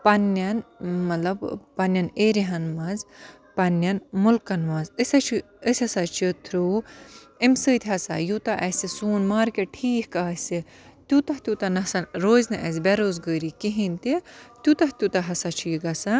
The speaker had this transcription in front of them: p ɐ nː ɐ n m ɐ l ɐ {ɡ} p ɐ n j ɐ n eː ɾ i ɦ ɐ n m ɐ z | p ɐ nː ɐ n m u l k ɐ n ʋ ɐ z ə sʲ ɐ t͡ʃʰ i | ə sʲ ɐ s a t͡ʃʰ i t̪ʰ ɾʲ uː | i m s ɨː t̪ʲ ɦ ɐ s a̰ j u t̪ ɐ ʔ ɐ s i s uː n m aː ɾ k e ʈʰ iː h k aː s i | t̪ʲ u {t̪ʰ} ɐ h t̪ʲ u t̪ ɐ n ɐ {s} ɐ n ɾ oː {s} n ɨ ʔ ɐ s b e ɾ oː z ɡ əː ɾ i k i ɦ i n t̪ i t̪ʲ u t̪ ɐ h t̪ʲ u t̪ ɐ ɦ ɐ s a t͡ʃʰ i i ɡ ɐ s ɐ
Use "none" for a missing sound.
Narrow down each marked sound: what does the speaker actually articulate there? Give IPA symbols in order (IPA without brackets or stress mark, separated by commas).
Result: b, t̪, s, z